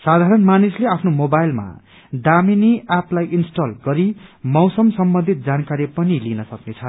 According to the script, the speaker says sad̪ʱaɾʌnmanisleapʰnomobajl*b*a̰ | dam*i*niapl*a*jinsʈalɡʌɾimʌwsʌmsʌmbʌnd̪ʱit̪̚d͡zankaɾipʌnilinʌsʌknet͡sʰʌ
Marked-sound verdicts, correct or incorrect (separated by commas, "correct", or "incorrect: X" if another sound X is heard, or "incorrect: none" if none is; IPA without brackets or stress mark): incorrect: m, correct, correct